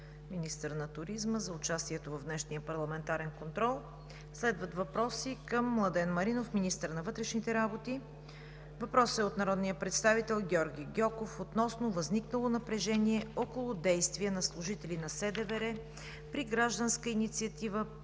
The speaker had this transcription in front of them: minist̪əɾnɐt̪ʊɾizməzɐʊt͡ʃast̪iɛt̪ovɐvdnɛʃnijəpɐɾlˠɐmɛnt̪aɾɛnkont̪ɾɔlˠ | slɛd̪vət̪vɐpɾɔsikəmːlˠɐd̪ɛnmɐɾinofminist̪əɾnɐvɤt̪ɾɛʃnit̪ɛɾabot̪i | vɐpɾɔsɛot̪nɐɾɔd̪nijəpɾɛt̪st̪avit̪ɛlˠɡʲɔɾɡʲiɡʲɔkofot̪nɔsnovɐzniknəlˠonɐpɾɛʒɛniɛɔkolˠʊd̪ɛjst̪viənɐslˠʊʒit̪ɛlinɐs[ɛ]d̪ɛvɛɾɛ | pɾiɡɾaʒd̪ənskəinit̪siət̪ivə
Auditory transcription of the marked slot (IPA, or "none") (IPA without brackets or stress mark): ɛ